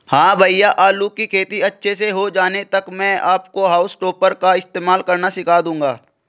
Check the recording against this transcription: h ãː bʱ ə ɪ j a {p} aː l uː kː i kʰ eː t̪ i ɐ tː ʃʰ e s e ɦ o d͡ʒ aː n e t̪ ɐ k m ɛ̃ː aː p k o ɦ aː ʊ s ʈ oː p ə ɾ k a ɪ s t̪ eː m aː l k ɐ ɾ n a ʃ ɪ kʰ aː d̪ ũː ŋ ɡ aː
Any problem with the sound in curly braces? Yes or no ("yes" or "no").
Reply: yes